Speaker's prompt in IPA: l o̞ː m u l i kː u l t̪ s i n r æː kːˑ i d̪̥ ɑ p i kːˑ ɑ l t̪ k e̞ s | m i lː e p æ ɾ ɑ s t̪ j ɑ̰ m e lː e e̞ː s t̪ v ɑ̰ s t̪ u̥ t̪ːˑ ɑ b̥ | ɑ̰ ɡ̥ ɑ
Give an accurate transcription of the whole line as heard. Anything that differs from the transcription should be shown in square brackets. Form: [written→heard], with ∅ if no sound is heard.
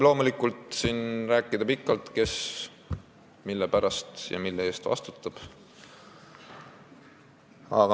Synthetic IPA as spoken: l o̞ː m u l i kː u l t̪ s i n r æː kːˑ i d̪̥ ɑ p i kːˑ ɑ l t̪ k e̞ s | m i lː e p æ ɾ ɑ s t̪ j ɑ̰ m [e→i] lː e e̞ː s t̪ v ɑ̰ s t̪ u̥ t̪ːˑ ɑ b̥ | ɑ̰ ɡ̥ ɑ

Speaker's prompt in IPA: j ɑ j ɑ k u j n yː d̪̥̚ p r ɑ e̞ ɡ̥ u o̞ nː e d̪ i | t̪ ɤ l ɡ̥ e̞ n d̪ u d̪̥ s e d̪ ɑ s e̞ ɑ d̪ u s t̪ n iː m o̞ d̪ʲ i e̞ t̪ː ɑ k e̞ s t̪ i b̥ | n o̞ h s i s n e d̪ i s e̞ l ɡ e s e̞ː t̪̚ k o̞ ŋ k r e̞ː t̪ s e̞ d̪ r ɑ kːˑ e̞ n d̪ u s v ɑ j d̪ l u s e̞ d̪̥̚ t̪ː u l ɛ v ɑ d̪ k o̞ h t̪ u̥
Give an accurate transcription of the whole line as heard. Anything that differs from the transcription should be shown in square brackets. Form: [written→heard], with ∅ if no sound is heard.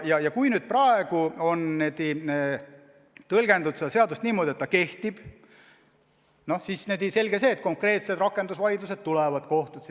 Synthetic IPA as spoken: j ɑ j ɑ k u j n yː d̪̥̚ p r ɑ e̞ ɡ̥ u o̞ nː e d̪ i | t̪ ɤ l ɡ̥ e̞ n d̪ u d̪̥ s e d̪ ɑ s e̞ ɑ d̪ u s t̪ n iː m o̞ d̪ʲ i e̞ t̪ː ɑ k e̞ [s→h] t̪ i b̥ | n o̞ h s i s n e d̪ i s e̞ l ɡ e s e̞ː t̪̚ k o̞ ŋ k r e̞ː t̪ s e̞ d̪ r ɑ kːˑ e̞ n d̪ u s v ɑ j d̪ l u s e̞ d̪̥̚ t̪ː u l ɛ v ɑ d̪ k o̞ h t̪ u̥

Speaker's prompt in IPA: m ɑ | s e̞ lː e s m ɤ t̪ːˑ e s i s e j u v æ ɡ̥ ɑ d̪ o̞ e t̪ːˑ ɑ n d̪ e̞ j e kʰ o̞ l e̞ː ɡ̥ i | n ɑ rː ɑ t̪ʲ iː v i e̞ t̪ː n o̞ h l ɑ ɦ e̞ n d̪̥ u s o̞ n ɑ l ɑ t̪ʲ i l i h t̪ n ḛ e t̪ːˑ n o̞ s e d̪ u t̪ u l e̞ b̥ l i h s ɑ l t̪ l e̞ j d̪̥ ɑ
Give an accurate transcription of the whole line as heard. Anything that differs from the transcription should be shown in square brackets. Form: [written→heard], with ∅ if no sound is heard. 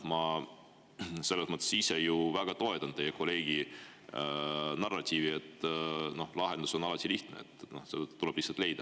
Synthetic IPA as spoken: m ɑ | s e̞ lː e s m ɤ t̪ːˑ e s i s e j u v æ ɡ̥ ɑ [d̪→t̪] o̞ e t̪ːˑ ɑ n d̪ e̞ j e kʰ o̞ l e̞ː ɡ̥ i | n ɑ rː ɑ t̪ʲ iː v i e̞ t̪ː n o̞ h l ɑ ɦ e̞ n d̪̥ u s o̞ n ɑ l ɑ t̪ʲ i l i h t̪ n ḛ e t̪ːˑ n o̞ s e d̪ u t̪ u l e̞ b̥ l i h s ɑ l t̪ l e̞ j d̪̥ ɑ

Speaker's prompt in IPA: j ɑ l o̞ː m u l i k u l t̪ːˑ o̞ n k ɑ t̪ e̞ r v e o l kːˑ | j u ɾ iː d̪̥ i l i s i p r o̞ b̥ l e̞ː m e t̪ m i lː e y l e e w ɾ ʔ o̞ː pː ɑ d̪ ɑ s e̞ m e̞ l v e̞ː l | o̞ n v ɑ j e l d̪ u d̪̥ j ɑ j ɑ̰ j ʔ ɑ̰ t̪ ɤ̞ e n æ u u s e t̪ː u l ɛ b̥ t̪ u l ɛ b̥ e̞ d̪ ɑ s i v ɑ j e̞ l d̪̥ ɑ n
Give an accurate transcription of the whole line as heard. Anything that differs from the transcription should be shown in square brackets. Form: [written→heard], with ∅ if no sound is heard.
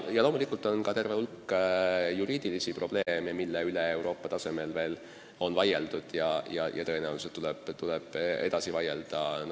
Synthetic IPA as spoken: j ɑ l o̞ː m u l i k u l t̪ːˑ o̞ n k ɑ t̪ e̞ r v e [o→u] l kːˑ | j u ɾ iː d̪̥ i l i s i p r o̞ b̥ l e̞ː m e [t̪→∅] m i lː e y l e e w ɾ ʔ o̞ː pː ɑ [d̪→t̪] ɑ s e̞ m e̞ l v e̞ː l | o̞ n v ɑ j e l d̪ u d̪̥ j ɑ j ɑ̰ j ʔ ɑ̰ t̪ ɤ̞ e n æ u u s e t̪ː u l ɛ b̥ t̪ u l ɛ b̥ e̞ d̪ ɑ s i v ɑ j e̞ l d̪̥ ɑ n

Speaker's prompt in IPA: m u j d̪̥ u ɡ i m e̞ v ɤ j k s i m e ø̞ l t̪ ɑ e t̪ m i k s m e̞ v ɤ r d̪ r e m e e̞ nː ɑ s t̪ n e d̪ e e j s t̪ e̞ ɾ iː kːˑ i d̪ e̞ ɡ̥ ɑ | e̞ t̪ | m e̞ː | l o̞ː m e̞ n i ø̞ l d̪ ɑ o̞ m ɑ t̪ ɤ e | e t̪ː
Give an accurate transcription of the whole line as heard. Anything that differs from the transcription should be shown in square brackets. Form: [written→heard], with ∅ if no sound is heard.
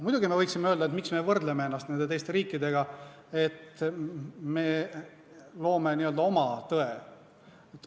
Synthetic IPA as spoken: m u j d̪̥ u ɡ i m e̞ v ɤ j k s i m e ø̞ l [t̪→d̪] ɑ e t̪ m i k s m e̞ v ɤ r d̪ [r→l] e m e e̞ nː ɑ s t̪ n e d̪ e e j s t̪ e̞ ɾ iː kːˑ i d̪ e̞ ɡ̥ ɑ | e̞ t̪ | m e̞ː | l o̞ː m e̞ n i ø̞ l d̪ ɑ o̞ m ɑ t̪ ɤ e | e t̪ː

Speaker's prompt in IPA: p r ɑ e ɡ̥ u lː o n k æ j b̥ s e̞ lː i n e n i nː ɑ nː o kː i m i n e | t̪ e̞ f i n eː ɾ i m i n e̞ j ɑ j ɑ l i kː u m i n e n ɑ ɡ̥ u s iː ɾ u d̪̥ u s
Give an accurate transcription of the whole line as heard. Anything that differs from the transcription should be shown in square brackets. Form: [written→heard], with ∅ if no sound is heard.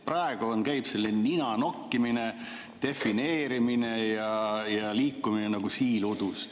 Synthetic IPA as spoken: p r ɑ e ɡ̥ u [lː→∅] o n k æ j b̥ s e̞ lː i n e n i [nː→n] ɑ [nː→n] o kː i m i n e | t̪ e̞ f i n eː ɾ i m i n e̞ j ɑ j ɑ l [i→iː] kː u m i n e n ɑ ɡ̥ u s iː [ɾ→l] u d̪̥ u s

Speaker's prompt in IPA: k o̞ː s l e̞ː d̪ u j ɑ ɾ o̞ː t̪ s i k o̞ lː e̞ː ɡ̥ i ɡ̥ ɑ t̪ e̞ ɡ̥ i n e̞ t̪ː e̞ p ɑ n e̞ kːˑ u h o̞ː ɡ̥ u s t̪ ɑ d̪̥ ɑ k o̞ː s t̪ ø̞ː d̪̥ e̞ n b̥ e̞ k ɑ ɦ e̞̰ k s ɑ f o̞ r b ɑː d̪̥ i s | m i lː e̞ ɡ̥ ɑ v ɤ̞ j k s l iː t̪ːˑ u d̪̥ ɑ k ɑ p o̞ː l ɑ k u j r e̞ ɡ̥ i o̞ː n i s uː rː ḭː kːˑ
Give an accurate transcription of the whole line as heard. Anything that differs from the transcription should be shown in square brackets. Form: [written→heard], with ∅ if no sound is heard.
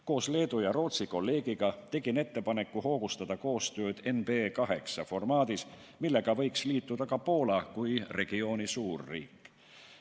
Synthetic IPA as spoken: k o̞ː s l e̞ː d̪ u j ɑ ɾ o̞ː t̪ s i k o̞ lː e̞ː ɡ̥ i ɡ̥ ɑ t̪ e̞ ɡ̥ i n e̞ t̪ː e̞ p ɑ n e̞ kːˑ u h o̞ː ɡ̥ u s t̪ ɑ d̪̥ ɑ k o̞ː s t̪ ø̞ː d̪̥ e̞ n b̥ e̞ k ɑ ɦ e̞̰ k s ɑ f o̞ r [b→m] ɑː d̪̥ i s | m i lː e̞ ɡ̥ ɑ v ɤ̞ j k s l iː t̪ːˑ u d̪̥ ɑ k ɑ p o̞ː l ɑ k u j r e̞ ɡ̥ i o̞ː n i s uː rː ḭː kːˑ

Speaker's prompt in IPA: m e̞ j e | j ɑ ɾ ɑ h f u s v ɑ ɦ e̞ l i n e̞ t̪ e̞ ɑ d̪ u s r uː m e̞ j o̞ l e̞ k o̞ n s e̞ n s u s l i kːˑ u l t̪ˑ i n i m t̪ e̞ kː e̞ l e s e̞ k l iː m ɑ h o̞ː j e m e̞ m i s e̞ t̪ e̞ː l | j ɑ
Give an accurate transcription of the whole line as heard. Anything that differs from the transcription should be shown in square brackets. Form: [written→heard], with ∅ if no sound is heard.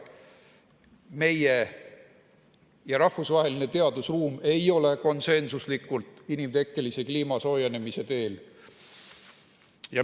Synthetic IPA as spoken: m e̞ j e | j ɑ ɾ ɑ h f u s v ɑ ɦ e̞ l i n e̞ t̪ e̞ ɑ d̪ u s r uː m e̞ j o̞ l e̞ k o̞ n s e̞ n s u s l i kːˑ u l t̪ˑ i n i m t̪ e̞ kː e̞ l [e→i] s e̞ k l iː m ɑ [h→s] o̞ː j e [m→n] e̞ m i s e̞ t̪ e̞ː l | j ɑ

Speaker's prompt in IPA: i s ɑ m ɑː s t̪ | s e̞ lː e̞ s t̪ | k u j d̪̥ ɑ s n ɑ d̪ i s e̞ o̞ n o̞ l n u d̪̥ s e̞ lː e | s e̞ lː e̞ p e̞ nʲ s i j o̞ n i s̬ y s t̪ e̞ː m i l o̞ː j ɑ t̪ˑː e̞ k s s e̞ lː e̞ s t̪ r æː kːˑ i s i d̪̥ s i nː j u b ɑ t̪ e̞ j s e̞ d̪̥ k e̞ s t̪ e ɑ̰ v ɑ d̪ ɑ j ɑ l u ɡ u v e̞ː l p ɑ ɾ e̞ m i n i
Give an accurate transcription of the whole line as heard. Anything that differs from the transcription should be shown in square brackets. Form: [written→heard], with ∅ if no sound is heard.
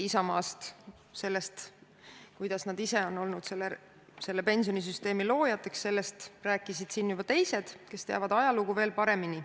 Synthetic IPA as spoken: i s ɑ m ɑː s t̪ | s e̞ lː e̞ s t̪ | k u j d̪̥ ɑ s n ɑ d̪ i s e̞ o̞ n o̞ l n u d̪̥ s e̞ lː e | s e̞ lː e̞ p e̞ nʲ s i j o̞ n i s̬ y s t̪ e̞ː m i l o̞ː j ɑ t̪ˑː e̞ k s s e̞ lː e̞ s t̪ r æː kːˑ i s i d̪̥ s i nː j u b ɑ t̪ e̞ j s e̞ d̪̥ k e̞ s t̪ e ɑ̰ v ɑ d̪ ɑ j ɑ l u ɡ u v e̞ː l p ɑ ɾ e̞ m i n i

